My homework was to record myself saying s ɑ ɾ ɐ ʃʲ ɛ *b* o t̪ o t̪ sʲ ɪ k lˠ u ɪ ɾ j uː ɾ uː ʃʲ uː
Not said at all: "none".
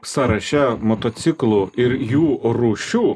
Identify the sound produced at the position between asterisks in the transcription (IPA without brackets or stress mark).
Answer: m